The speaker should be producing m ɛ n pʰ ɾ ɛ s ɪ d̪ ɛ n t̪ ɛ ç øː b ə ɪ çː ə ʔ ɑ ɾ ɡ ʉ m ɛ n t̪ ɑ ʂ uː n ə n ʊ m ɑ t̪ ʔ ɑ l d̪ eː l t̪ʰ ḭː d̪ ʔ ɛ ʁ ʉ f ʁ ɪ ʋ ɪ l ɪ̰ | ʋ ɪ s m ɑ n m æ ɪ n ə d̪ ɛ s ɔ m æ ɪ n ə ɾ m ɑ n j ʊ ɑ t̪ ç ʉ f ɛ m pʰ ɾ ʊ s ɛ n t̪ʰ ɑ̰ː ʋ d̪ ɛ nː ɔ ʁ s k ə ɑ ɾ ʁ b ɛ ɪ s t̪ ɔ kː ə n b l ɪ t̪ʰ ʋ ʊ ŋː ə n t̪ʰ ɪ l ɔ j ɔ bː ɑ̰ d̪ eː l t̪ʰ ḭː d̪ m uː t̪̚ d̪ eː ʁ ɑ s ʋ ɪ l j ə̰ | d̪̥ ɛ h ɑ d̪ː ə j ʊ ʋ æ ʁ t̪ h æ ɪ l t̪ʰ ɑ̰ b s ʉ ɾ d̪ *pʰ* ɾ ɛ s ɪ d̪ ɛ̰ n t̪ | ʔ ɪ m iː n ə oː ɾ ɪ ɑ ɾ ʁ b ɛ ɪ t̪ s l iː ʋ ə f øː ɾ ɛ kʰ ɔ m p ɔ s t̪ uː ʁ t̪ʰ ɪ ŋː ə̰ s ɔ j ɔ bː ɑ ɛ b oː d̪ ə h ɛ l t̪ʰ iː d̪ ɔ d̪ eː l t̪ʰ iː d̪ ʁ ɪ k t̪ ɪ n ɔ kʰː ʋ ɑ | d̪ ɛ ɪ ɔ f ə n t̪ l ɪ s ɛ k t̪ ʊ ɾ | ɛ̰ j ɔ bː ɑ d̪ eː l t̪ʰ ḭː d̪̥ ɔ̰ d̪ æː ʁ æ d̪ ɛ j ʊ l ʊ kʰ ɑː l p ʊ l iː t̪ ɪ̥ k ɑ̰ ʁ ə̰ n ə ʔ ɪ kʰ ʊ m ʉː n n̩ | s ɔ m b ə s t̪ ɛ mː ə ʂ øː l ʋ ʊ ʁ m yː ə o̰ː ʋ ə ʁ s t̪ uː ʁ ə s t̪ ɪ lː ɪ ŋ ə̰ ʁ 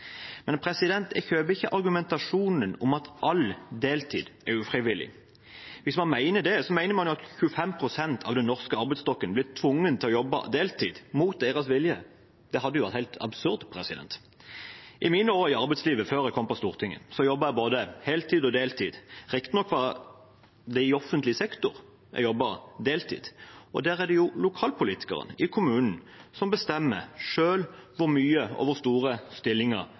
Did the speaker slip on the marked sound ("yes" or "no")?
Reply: no